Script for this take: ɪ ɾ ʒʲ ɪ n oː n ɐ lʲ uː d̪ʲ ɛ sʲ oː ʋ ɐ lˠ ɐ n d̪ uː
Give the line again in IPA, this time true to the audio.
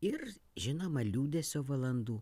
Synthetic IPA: ɪ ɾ ʒʲ ɪ n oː m ɐ lʲ uː d̪ʲ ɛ sʲ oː ʋ ɐ lˠ ɐ n d̪ uː